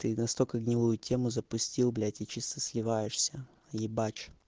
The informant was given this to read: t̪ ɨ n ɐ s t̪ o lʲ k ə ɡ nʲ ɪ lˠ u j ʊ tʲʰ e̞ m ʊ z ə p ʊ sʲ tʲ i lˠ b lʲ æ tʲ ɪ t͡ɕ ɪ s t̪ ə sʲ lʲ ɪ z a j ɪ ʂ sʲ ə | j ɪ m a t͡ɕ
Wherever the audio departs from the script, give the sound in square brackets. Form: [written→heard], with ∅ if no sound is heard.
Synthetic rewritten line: t̪ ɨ n ɐ s t̪ o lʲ k ə ɡ nʲ ɪ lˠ u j ʊ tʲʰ e̞ m ʊ z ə p ʊ sʲ tʲ i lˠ b lʲ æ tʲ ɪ t͡ɕ [ɪ→i] s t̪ ə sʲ lʲ ɪ [z→v] a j ɪ ʂ sʲ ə | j ɪ [m→b] a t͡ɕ